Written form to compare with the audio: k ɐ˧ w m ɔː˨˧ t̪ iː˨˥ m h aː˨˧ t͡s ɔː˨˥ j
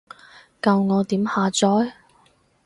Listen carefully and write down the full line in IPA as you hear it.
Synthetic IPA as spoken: k ɐ˧ w ŋ ɔː˨˧ t̪ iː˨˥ m h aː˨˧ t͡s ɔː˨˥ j

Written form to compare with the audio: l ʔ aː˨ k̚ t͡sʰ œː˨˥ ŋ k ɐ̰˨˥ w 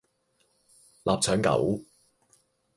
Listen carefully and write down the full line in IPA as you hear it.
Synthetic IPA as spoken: l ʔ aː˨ p̚ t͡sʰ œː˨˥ ŋ k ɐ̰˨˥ w

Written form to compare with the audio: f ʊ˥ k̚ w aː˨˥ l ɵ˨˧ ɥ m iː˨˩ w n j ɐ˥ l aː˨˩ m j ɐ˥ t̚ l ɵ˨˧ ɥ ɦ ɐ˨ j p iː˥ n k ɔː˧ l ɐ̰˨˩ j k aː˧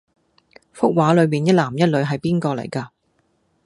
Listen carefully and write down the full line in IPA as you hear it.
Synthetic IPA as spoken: f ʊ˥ k̚ w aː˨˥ l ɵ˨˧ ɥ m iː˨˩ n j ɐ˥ l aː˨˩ m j ɐ˥ t̚ l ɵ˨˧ ɥ ɦ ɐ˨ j p iː˥ n k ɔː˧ l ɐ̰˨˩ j k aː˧

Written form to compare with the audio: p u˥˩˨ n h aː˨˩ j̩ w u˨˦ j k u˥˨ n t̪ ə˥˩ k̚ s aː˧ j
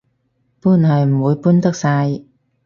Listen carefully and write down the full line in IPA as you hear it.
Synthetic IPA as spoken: p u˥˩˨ n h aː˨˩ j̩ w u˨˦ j p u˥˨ n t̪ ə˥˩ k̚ s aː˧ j

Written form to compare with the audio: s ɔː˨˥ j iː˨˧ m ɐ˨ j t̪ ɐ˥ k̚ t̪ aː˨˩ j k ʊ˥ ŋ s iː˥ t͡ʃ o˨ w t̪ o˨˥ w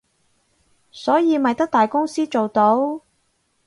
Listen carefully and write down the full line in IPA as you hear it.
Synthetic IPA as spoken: s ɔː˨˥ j iː˨˧ m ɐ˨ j t̪ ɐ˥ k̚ t̪ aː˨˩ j k ʊ˥ ŋ s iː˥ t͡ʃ o˨ w t̪ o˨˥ w

